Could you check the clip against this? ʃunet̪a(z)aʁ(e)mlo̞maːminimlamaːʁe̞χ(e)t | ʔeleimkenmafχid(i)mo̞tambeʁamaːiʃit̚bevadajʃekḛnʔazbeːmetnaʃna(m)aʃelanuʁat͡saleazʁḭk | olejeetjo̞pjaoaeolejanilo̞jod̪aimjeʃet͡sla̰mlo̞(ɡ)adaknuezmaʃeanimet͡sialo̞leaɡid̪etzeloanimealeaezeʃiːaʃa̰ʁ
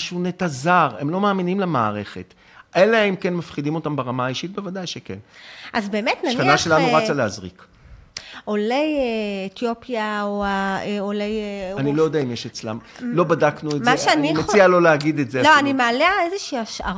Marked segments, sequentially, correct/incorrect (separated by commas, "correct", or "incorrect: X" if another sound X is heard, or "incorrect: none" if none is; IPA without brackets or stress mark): correct, correct, correct, correct, incorrect: n, incorrect: b